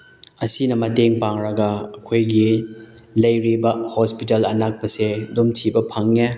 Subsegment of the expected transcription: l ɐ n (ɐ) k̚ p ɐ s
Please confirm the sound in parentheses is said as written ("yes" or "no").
no